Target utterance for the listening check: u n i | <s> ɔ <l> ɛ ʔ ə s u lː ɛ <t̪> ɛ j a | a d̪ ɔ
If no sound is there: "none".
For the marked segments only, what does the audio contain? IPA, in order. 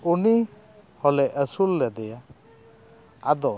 h, l, d̪

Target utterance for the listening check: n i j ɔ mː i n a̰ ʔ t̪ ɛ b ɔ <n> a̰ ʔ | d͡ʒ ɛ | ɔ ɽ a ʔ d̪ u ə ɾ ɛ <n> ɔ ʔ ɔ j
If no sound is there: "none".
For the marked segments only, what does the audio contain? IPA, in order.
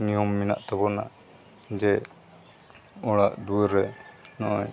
n, n

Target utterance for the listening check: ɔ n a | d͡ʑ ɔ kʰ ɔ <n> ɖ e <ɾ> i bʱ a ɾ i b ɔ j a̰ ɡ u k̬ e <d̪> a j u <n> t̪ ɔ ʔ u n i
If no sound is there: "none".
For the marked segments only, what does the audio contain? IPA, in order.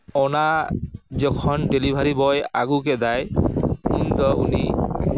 n, l, d̪, n

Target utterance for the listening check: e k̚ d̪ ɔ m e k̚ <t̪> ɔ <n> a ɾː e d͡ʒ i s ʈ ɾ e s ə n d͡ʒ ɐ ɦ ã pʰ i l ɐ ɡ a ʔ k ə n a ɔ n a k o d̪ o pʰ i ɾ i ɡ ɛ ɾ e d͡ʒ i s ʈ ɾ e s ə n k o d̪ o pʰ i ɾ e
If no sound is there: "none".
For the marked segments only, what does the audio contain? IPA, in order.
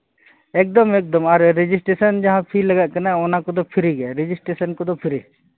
d̪, m

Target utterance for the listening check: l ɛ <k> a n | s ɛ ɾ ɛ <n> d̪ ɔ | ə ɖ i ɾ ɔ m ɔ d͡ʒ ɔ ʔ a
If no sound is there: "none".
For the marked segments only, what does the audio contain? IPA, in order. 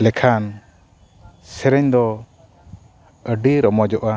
kʰ, ɲ

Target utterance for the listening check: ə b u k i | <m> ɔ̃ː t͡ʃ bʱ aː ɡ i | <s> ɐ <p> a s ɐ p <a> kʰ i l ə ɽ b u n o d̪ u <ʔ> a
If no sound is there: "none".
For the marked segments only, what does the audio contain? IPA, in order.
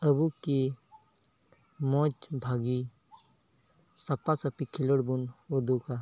m, s, p, i, k

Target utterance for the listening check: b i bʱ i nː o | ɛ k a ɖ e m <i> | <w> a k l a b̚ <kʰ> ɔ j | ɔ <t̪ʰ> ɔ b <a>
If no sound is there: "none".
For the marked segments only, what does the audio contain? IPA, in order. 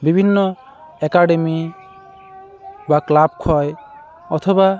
i, b, kʰ, t̪ʰ, a

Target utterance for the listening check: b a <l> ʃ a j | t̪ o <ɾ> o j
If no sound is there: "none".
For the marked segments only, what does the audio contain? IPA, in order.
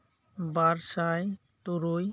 ɾ, ɾ

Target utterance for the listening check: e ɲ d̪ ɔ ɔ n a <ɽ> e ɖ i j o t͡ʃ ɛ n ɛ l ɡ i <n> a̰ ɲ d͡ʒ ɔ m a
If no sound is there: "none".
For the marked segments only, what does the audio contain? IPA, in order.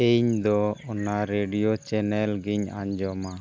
ɾ, ɲ

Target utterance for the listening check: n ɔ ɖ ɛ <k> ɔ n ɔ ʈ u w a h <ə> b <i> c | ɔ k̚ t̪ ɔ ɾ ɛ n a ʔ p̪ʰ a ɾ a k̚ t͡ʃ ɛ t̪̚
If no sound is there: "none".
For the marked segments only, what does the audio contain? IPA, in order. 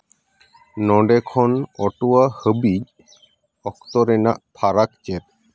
kʰ, ə, i

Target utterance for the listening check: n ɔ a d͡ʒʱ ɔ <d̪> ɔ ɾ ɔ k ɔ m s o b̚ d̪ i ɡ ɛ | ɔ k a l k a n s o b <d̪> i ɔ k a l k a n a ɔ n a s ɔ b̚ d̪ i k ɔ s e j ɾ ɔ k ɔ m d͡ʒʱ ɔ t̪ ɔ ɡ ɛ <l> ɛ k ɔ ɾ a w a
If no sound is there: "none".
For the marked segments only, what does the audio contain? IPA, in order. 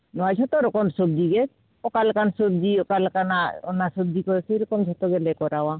t̪, d̪, l

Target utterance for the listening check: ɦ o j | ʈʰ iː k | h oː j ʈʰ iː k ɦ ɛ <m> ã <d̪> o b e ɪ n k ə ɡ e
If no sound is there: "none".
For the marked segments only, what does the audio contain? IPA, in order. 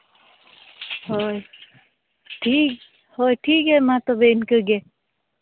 m, t̪

